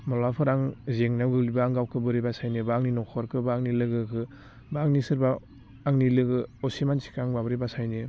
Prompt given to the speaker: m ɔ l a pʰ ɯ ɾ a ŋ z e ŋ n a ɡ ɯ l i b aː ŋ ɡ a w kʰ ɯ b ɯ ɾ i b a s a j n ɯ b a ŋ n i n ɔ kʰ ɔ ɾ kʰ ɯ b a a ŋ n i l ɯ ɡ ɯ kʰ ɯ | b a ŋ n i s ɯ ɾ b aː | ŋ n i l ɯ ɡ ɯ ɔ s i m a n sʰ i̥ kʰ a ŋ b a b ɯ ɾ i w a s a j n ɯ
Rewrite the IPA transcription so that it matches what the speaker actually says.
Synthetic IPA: m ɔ l a pʰ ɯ ɾ a ŋ z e ŋ n a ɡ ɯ l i b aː ŋ ɡ a w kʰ ɯ b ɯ ɾ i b a s a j n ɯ b a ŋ n i n ɔ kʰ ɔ ɾ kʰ ɯ b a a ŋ n i l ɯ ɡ ɯ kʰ ɯ | b a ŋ n i s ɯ ɾ b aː | ŋ n i l ɯ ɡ ɯ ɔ s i m a n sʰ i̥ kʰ a ŋ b a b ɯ ɾ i b a s a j n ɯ